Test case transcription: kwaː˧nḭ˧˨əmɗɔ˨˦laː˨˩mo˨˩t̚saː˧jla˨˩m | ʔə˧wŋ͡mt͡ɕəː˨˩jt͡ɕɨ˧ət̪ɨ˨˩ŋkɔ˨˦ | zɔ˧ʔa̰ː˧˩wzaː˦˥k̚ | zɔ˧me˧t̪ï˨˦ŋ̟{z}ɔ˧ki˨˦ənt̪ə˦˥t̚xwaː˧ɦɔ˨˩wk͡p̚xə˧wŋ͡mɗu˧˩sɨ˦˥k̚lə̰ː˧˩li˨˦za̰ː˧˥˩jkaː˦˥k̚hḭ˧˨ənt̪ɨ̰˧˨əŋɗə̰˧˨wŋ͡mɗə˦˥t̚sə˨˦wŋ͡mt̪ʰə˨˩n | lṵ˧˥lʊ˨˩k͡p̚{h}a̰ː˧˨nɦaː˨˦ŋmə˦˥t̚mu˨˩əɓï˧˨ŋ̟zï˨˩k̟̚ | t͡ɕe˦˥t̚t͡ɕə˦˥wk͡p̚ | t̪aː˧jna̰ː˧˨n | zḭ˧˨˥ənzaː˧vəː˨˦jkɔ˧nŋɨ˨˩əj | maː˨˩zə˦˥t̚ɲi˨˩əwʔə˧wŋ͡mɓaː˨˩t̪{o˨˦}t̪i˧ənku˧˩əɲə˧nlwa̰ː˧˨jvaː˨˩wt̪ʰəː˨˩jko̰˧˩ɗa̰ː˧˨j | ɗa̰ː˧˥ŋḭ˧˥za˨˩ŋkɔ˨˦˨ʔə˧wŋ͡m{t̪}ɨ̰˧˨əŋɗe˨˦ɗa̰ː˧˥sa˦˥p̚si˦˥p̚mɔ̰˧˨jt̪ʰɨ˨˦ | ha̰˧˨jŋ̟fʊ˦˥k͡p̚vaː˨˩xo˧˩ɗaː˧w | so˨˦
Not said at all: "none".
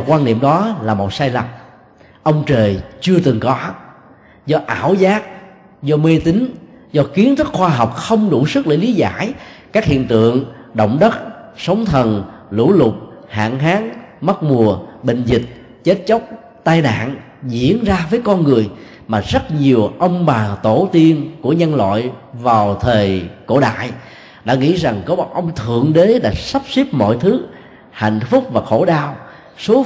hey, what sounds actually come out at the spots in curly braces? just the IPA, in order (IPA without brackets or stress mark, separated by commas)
z, h, o˧˩, t̪ʰ